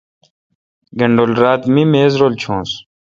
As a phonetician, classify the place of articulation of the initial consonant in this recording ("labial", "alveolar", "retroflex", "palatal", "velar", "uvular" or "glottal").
velar